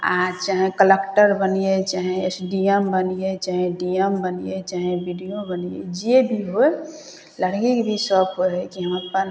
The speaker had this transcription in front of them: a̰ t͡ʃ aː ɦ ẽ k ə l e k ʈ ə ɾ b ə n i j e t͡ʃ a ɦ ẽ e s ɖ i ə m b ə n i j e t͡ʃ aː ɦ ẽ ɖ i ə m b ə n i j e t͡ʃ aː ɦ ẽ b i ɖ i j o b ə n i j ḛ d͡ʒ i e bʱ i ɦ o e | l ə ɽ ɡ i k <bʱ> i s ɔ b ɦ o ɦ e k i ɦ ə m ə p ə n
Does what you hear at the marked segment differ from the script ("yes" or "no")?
no